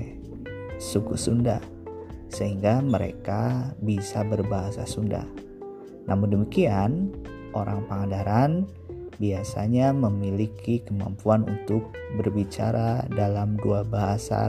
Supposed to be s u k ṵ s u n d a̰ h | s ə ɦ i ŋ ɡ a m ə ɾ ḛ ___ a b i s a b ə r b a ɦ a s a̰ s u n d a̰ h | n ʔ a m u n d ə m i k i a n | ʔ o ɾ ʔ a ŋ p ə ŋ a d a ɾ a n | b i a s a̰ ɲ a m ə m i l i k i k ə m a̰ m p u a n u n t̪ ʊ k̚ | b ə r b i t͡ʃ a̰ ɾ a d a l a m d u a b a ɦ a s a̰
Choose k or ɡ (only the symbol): k